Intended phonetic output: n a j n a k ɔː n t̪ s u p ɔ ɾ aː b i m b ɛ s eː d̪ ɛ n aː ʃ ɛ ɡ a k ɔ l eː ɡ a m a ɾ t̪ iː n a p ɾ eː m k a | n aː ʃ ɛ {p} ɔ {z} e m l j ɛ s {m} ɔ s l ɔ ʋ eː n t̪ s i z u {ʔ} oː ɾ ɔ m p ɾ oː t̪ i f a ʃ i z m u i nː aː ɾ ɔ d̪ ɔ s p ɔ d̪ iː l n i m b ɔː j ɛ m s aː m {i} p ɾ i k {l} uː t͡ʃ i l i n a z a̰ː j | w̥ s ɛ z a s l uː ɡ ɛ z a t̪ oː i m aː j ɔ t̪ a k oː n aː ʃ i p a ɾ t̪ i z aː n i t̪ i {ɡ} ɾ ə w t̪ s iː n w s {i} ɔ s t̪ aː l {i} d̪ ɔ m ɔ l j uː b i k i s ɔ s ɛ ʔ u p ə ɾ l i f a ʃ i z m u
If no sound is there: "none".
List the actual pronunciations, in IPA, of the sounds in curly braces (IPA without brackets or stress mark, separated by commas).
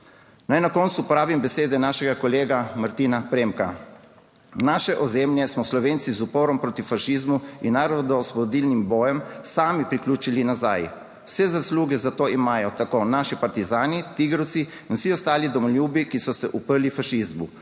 ʔ, z, m, p, i, l, ɡ, i, i